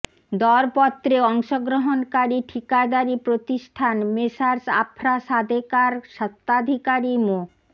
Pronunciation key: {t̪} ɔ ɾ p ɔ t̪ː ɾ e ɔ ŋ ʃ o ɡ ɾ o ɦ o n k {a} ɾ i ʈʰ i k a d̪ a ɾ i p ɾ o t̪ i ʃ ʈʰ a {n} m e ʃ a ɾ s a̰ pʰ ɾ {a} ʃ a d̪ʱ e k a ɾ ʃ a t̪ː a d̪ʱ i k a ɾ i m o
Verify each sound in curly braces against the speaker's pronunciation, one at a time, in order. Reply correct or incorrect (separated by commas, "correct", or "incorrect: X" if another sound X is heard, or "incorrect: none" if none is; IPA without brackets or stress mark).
incorrect: d̪, correct, correct, correct